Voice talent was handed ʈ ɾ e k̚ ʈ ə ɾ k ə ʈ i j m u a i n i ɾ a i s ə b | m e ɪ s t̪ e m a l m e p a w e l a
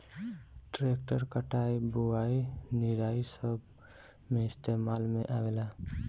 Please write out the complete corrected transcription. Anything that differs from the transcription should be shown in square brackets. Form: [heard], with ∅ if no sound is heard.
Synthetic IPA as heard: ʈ ɾ e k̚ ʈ ə ɾ k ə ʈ [a] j [b] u a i n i ɾ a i s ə b | m e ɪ s t̪ e m a l m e [ʔ] a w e l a